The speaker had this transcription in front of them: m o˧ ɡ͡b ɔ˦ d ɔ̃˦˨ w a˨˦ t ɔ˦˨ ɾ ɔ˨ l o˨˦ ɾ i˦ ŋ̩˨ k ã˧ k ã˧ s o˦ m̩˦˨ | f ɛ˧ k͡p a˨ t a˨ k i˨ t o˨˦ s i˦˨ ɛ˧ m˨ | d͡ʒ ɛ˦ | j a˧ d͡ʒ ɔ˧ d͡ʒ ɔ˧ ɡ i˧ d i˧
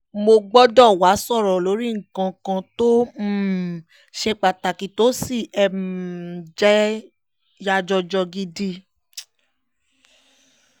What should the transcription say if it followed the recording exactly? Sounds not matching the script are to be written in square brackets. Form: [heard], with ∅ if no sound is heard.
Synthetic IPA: m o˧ ɡ͡b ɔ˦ d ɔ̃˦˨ w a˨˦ [s] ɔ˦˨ ɾ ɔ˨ l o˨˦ ɾ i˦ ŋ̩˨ k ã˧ k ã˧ [t] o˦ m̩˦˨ | [ʃ] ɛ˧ k͡p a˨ t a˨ k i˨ t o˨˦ s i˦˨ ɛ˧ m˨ | d͡ʒ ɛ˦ | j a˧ d͡ʒ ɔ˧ d͡ʒ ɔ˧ ɡ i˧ d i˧

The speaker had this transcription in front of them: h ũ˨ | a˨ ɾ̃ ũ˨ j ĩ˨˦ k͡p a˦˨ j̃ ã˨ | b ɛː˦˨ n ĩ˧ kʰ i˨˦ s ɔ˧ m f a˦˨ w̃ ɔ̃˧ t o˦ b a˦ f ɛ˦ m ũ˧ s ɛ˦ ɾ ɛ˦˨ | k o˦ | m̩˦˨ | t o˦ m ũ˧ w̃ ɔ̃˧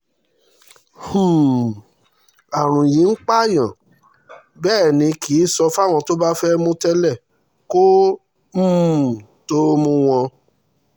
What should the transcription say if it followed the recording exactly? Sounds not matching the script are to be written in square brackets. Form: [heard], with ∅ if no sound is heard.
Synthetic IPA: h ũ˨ | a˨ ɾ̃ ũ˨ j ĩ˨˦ k͡p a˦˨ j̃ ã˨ | b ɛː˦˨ n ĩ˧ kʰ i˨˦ s ɔ˧ [∅] f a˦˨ w̃ ɔ̃˧ t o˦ b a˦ f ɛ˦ m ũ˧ [t] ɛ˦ [l] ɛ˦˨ | k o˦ | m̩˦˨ | t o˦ m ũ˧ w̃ ɔ̃˧

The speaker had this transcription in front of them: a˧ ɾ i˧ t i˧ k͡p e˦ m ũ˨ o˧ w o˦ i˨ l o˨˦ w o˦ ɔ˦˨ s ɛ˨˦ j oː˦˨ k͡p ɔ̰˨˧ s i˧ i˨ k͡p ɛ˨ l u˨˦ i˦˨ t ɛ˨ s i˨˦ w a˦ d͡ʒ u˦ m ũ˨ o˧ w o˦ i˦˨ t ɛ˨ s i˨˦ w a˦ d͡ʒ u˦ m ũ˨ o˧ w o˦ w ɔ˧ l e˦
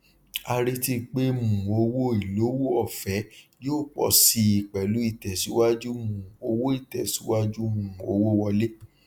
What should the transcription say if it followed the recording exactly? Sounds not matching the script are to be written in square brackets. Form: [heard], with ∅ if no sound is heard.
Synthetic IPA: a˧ ɾ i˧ t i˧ k͡p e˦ m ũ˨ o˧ w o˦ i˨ l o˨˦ w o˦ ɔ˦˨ [f] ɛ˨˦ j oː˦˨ k͡p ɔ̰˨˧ s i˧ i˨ k͡p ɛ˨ l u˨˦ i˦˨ t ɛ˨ s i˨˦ w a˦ d͡ʒ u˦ m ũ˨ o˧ w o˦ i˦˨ t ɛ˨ s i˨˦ w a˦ d͡ʒ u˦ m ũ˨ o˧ w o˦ w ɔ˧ l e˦

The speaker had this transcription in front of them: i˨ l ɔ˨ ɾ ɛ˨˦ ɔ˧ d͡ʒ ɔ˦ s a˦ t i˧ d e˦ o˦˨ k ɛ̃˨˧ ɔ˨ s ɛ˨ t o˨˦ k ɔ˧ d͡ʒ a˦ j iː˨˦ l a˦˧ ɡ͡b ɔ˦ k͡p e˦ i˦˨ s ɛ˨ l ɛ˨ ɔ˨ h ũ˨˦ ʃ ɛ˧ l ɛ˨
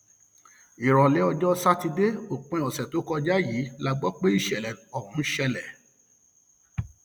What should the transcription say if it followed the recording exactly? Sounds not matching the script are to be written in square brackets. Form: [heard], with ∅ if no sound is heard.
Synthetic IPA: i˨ [ɾ] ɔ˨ [l] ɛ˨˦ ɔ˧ d͡ʒ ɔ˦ s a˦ t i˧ d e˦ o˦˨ [k͡p] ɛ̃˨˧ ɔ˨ s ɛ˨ t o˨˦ k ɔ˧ d͡ʒ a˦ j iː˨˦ l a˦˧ ɡ͡b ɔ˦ k͡p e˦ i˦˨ [ʃ] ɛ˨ l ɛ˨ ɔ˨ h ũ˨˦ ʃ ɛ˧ l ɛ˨

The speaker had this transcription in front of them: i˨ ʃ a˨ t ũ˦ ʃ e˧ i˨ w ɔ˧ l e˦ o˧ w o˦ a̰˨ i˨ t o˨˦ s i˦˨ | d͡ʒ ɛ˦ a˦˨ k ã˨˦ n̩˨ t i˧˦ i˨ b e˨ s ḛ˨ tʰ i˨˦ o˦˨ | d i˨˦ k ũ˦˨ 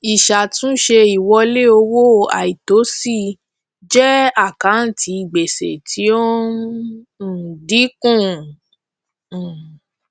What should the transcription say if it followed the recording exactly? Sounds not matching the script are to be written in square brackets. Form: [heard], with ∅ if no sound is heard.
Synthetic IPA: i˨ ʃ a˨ t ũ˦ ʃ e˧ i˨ w ɔ˧ l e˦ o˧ w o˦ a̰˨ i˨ t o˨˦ s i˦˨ | d͡ʒ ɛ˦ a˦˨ k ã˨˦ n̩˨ t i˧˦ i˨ [ɡ͡b] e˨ s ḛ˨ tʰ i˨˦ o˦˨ | d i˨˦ k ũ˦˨

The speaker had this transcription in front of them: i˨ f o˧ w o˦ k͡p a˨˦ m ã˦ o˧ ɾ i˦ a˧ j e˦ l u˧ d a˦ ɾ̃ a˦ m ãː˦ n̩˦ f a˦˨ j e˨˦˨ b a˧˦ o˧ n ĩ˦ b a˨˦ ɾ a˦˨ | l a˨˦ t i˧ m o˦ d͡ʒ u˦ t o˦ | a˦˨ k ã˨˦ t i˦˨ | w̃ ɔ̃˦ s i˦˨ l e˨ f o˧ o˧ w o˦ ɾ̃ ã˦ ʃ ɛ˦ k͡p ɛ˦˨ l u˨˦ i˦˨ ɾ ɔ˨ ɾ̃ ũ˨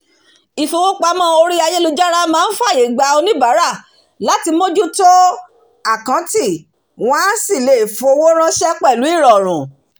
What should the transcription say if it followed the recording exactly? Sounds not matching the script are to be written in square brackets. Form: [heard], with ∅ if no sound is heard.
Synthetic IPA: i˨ f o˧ w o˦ k͡p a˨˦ m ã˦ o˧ ɾ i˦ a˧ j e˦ l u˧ [d͡ʒ] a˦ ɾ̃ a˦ m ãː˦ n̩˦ f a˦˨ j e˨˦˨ [ɡ͡b] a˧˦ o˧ n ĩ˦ b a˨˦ ɾ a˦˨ | l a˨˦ t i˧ m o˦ d͡ʒ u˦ t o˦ | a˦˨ k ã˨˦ t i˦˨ | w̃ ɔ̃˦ s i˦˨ l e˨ f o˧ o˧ w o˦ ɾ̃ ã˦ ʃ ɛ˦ k͡p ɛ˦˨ l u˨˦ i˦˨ ɾ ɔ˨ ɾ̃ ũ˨

